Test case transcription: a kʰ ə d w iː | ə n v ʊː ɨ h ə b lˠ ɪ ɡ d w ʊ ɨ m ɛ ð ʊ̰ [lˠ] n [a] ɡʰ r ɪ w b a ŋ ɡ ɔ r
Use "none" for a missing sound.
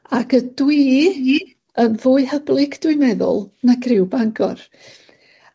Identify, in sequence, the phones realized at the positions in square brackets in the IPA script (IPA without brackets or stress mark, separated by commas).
lˠ, a